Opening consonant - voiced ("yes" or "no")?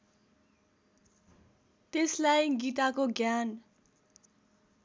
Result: no